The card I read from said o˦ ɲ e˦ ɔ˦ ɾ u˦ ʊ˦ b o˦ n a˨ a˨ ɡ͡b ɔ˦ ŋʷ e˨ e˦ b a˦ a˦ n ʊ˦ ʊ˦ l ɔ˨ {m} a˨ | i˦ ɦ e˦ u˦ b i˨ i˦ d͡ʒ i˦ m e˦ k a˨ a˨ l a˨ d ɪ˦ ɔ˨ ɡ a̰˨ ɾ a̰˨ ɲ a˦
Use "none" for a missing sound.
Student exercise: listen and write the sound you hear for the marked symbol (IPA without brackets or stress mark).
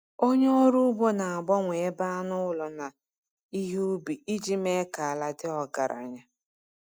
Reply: n